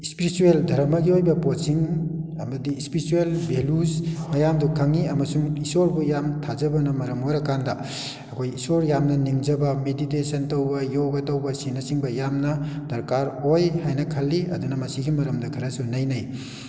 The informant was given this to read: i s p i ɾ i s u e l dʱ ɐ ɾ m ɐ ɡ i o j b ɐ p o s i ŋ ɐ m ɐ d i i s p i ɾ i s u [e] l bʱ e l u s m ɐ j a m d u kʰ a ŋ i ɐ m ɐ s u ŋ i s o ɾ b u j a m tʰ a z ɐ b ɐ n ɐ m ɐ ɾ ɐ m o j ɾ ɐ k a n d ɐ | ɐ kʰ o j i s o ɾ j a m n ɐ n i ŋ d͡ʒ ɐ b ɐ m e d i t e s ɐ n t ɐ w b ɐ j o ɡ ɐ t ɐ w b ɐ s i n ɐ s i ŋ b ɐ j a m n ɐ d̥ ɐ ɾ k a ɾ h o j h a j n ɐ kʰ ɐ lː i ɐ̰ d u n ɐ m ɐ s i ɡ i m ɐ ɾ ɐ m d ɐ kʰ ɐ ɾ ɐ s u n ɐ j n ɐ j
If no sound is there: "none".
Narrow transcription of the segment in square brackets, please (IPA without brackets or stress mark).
e